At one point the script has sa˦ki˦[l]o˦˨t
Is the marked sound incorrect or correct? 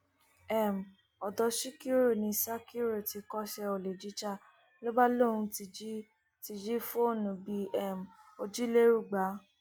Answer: incorrect